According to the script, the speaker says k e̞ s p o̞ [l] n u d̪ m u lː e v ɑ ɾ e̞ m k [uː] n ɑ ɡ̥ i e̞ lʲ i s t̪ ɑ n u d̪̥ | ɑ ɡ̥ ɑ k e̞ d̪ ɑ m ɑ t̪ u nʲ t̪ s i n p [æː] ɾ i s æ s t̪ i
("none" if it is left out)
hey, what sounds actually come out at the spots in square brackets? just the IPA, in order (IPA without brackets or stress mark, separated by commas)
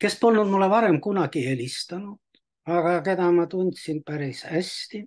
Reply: l, u, æ